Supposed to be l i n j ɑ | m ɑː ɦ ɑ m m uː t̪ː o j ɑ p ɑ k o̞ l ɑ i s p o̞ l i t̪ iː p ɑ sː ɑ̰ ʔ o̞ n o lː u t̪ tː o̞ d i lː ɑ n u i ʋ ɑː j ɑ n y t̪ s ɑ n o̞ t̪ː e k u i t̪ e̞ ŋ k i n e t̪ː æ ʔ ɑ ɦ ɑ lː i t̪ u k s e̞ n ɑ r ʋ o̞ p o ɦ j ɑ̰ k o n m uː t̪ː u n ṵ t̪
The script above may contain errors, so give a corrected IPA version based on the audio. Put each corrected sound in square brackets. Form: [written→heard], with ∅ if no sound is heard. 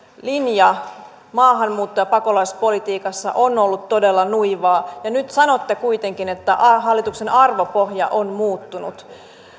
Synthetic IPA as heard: l i n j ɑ | m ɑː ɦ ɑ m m uː t̪ː o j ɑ p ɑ k o̞ l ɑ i s p o̞ l i t̪ iː [p→k] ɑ sː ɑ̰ ʔ o̞ n o lː u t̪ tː o̞ d [i→e] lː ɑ n u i ʋ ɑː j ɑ n y t̪ s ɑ n o̞ t̪ː e k u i t̪ e̞ ŋ k i n e t̪ː æ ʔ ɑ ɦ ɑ lː i t̪ u k s e̞ n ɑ r ʋ o̞ p o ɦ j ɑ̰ [k→ʔ] o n m uː t̪ː u n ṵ t̪

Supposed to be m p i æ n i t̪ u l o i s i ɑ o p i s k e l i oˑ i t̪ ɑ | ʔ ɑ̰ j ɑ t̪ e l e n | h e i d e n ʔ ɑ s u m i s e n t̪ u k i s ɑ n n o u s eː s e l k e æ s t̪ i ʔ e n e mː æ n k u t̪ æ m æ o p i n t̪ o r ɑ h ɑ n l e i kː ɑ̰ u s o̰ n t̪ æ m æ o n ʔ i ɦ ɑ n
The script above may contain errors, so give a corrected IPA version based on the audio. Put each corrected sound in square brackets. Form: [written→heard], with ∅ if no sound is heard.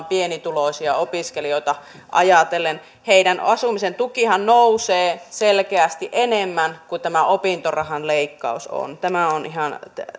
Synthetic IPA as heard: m p i [æ→e] n i t̪ u l o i s i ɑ o p i s k e l i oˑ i t̪ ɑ | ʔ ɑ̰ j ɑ t̪ e l e n | h e i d [e→æ] n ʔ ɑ s u m i s e n t̪ u k i [s→h] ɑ n n o u s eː s e l k e æ s t̪ i ʔ e n e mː æ n k u t̪ æ m æ o p i n t̪ o r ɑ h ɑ n l e i kː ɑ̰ u s o̰ n t̪ æ m æ o n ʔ i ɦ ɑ n

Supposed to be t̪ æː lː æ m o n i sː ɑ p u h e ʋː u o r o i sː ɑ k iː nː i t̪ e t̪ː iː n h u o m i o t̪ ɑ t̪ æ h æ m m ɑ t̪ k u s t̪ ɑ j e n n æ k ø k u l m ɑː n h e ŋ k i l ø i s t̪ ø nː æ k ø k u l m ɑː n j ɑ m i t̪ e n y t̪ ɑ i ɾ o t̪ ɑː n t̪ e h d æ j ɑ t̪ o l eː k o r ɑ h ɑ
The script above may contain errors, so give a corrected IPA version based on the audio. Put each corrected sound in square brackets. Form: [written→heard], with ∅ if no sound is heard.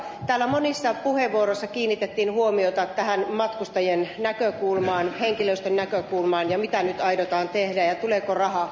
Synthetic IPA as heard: t̪ æː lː æ m o n i sː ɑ p u h e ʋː u o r o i sː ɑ k iː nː i t̪ e t̪ː iː n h u o m i o t̪ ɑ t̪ æ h æ [m→n] m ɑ t̪ k u s t̪ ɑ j e n n æ k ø k u l m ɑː n h e ŋ k i l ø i s t̪ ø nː æ k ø k u l m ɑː n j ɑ m i t̪ [e→æ] n y t̪ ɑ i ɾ o t̪ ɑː n t̪ e h d æ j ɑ t̪ [o→u] l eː k o r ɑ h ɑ

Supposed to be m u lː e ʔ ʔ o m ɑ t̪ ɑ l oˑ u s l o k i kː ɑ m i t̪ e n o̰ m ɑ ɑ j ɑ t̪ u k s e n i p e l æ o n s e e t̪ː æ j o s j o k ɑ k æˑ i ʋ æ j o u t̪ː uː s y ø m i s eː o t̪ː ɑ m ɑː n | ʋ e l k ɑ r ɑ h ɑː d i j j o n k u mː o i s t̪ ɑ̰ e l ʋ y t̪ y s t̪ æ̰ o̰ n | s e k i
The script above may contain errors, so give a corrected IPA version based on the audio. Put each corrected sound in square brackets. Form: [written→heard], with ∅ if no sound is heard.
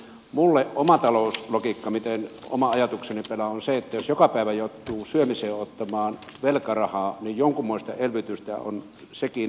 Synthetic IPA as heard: m u lː e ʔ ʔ o m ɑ t̪ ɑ l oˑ u s l o k i kː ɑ m i t̪ e n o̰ m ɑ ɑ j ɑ t̪ u k s e n i p e l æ o n s e e t̪ː æ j o s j o k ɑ [k→p] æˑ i ʋ æ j o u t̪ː uː s y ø m i s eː o t̪ː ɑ m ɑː n | ʋ e l k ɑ r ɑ h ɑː [d→n] i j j o [n→ŋ] k u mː o i s t̪ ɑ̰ e l ʋ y t̪ y s t̪ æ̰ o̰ n | s e k i

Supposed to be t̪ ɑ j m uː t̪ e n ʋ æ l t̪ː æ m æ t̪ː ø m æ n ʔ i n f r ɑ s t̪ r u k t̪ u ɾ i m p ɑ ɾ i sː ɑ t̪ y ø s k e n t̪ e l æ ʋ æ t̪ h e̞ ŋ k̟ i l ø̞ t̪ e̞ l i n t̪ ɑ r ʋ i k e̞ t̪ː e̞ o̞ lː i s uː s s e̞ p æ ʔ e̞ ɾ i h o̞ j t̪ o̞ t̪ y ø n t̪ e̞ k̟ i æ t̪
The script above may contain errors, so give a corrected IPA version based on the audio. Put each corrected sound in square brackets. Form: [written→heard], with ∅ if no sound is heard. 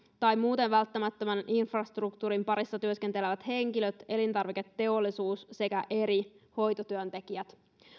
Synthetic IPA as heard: t̪ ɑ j m uː t̪ e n ʋ æ l t̪ː æ m æ t̪ː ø m æ n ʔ i n f r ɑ s t̪ r u k t̪ u ɾ i m p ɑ ɾ i sː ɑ t̪ y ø s k e n t̪ e l [æ→e] ʋ æ t̪ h e̞ ŋ k̟ i l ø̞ t̪ e̞ l i n t̪ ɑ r ʋ i k e̞ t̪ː e̞ o̞ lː i s uː s s e̞ [p→k] æ ʔ e̞ ɾ i h o̞ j t̪ o̞ t̪ y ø n t̪ e̞ k̟ i æ t̪

